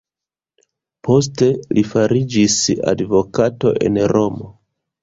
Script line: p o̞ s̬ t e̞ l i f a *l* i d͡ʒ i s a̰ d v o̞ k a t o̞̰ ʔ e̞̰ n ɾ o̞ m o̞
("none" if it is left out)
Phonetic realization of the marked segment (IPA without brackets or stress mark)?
ɾ